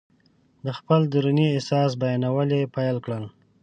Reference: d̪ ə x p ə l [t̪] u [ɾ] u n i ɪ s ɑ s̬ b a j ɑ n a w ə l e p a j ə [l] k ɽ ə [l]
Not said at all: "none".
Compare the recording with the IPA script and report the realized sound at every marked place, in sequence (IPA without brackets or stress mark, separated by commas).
d̪, ɾ, l, l